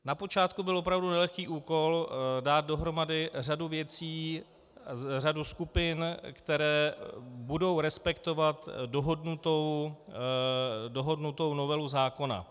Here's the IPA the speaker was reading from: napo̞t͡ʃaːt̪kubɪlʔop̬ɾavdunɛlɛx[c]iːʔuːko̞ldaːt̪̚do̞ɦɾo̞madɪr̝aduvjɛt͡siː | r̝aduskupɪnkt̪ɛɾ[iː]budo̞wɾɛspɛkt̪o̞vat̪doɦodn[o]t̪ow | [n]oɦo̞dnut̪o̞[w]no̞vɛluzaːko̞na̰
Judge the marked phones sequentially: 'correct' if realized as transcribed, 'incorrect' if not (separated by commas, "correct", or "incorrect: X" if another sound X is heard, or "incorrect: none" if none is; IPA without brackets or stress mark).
incorrect: k, incorrect: ɛː, incorrect: u, incorrect: d, correct